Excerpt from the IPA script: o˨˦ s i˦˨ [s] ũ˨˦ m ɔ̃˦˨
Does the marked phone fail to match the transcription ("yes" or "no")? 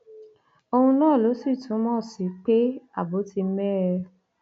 yes